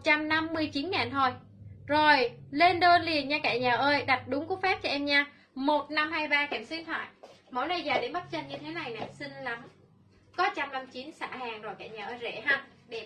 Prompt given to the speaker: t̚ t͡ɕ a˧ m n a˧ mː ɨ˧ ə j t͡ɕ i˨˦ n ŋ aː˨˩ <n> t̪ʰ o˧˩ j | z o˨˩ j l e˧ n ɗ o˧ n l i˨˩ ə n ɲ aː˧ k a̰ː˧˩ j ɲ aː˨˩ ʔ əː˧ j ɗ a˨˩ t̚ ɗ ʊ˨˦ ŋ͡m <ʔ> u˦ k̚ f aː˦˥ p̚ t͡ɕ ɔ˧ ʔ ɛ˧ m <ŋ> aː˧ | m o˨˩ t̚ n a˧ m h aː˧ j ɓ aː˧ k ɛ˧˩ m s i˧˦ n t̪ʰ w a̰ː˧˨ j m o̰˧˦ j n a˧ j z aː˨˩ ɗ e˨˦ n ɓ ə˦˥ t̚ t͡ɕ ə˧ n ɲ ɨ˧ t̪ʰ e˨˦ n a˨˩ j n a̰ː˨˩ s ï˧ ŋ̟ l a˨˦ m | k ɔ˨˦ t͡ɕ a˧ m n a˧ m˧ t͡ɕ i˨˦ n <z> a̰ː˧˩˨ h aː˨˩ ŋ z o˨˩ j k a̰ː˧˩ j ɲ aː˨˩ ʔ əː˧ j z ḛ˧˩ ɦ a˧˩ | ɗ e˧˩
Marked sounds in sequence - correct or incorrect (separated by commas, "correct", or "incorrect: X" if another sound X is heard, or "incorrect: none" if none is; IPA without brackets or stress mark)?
correct, incorrect: k, incorrect: ɲ, incorrect: s